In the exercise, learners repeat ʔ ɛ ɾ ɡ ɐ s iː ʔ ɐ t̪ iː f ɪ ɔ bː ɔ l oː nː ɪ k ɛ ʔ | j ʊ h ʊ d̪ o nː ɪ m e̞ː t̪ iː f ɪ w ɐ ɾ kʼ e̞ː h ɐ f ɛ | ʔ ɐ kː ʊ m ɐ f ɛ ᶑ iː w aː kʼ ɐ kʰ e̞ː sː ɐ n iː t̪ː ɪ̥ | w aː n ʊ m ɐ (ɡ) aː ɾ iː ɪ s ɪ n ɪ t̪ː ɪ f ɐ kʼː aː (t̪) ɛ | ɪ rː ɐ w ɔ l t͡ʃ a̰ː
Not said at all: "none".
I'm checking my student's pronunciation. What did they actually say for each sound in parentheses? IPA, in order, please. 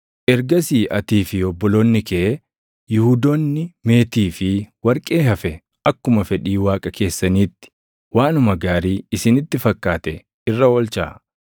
ɡ, t̪

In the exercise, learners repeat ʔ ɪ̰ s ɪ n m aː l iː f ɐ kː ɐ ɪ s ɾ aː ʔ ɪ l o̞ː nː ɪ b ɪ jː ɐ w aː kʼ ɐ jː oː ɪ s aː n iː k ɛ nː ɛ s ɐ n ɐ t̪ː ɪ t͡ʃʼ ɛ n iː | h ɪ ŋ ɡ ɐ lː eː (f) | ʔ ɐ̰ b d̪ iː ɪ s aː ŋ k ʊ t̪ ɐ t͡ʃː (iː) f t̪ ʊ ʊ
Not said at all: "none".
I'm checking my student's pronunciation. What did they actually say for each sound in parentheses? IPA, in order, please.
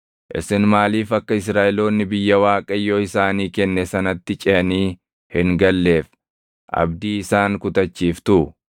f, iː

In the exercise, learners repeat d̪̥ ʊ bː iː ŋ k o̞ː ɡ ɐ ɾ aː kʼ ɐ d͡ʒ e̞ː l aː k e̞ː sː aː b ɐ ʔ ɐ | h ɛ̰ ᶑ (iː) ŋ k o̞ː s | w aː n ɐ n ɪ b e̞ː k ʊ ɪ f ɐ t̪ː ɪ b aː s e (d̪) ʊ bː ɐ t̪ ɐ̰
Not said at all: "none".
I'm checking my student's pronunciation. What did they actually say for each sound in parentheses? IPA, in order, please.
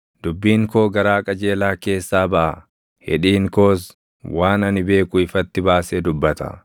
iː, d̪

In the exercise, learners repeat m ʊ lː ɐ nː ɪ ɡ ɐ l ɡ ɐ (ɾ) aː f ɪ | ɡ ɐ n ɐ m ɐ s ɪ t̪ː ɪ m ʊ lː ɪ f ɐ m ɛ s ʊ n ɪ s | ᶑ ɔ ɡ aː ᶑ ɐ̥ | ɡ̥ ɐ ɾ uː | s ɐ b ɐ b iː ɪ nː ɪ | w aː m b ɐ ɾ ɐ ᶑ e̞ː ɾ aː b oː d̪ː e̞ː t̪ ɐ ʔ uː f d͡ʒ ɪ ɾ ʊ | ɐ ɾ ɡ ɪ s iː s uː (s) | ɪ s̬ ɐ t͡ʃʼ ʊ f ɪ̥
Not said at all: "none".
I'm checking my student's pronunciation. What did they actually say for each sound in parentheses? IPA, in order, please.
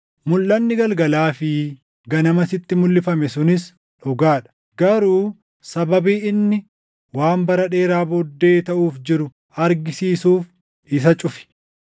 l, f

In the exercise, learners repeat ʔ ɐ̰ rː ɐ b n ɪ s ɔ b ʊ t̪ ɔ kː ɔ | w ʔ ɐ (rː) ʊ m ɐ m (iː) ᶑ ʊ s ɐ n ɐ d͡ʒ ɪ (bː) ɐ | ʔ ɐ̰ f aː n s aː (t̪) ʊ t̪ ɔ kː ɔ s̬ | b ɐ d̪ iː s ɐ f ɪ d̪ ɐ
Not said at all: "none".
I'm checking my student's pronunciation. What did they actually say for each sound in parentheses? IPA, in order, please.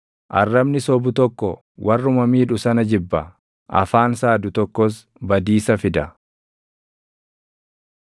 rː, iː, bː, d̪

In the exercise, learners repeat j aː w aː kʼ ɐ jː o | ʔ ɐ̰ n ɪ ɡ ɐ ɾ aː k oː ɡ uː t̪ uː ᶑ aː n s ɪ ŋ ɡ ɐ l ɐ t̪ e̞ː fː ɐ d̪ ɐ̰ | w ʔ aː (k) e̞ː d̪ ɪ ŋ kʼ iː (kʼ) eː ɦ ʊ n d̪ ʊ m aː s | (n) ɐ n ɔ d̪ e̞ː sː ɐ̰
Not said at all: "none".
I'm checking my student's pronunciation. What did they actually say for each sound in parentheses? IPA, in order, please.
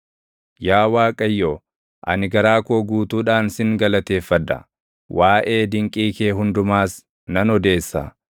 ʔ, k, n

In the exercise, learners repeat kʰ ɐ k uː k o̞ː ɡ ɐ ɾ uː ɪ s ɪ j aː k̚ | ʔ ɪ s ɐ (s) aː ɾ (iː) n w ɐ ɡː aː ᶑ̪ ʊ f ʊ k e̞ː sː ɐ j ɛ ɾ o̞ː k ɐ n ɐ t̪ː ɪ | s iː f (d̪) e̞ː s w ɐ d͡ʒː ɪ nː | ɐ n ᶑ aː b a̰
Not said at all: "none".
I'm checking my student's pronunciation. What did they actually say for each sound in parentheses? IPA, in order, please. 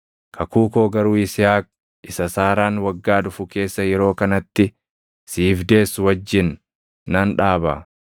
s, aː, d̪

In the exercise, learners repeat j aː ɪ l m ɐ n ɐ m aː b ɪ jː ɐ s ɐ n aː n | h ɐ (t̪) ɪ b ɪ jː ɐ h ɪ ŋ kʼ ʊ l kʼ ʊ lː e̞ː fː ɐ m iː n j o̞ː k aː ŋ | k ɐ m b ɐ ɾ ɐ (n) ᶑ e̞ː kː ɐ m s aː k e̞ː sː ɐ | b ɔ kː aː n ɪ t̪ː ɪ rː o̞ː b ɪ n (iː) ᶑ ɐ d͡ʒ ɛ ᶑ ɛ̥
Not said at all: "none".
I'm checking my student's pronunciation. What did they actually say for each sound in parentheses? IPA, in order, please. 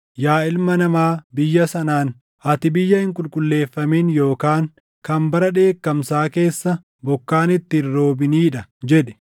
t̪, none, iː

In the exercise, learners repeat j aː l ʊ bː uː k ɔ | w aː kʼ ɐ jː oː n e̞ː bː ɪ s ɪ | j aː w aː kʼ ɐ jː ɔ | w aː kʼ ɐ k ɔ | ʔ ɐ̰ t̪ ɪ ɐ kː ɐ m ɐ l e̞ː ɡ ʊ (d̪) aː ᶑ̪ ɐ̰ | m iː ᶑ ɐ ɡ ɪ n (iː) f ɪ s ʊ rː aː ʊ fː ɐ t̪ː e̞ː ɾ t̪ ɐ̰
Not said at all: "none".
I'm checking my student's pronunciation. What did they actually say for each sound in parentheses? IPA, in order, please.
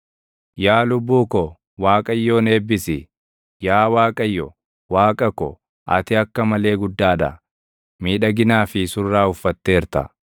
d̪ː, aː

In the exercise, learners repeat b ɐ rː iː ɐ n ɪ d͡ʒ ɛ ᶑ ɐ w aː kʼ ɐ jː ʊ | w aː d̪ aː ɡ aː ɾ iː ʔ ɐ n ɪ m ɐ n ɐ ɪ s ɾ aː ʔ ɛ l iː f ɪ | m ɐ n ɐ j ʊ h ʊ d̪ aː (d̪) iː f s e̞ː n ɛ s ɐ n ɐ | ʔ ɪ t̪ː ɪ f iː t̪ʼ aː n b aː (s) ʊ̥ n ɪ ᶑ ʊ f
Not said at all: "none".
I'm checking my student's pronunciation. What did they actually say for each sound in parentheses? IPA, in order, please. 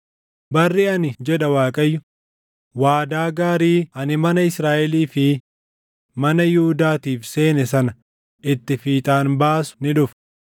t̪, s

